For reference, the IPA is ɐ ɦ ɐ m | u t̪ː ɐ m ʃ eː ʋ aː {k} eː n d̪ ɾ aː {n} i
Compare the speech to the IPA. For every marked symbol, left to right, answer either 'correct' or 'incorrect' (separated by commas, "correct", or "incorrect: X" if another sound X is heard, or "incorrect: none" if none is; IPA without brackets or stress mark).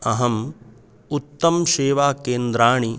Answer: correct, incorrect: ɳ